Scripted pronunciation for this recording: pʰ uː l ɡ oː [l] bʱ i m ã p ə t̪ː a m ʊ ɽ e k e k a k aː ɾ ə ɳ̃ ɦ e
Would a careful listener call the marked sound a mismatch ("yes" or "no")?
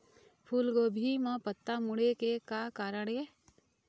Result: yes